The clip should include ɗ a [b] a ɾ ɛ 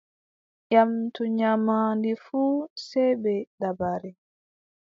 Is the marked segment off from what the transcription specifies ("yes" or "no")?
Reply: no